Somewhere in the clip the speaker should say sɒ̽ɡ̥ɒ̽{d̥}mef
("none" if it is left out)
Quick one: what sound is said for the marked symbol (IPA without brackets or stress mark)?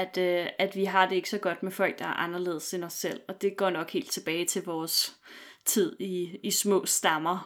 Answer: d̥